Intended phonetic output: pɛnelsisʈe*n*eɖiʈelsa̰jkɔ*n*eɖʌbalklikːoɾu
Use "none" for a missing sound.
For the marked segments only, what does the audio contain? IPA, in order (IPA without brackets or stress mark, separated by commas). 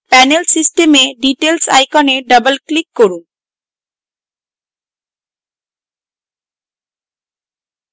m, n